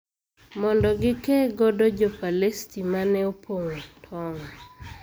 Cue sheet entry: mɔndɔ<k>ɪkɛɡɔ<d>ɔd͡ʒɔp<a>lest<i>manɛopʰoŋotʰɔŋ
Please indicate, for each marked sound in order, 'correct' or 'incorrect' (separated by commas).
incorrect, correct, correct, correct